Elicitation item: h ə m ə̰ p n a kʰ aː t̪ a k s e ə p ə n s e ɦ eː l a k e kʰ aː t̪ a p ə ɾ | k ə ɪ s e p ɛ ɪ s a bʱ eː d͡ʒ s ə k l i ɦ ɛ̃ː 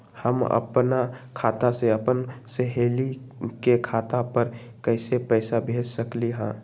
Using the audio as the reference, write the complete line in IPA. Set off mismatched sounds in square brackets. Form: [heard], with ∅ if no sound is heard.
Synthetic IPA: h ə m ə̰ p n a kʰ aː t̪ a [∅] s e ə p ə n s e ɦ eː l [i] k e kʰ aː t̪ a p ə ɾ | k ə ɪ s e p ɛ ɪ s a bʱ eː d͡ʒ s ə k l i ɦ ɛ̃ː